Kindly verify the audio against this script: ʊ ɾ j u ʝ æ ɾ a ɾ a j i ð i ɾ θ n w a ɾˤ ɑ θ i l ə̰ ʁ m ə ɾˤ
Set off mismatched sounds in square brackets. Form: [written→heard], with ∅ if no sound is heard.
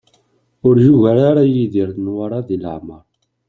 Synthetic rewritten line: ʊ ɾ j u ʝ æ ɾ a ɾ a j i ð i ɾ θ n w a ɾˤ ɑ [θ→ð] i l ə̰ [ʁ→ʕ] m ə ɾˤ